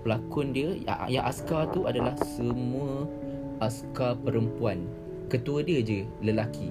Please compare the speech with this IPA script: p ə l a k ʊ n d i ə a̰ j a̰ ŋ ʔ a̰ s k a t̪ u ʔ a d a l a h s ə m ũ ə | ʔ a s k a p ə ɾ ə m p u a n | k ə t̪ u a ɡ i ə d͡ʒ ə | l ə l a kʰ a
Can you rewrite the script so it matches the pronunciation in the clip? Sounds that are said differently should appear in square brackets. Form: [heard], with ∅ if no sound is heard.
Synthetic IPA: p ə l a k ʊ n d i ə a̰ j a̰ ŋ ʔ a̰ s k a t̪ u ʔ a d a l a h s ə m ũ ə | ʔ a s k a p ə ɾ ə m p u a n | k ə t̪ u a [d] i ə d͡ʒ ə | l ə l a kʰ [i]